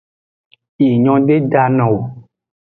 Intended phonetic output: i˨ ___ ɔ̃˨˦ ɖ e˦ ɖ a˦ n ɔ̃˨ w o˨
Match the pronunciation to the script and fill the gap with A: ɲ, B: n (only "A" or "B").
A